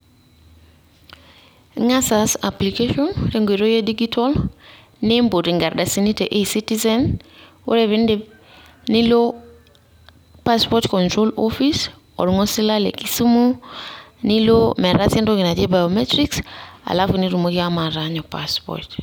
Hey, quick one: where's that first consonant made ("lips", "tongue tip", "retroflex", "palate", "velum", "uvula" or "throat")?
velum